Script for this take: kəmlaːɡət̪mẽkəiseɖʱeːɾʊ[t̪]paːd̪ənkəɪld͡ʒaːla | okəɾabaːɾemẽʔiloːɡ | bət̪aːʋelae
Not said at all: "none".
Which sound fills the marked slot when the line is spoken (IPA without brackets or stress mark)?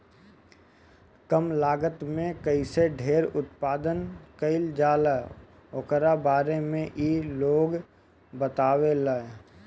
t̪